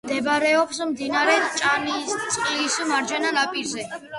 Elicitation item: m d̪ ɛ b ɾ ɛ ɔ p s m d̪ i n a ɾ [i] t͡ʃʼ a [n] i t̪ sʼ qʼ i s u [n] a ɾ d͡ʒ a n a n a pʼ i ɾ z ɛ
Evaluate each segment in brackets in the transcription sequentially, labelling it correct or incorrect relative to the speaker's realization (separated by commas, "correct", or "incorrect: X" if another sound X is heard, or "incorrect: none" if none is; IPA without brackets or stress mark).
incorrect: ɛ, correct, incorrect: m